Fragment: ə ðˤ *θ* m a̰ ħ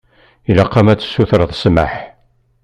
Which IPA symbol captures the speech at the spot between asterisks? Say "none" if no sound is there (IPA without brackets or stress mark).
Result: s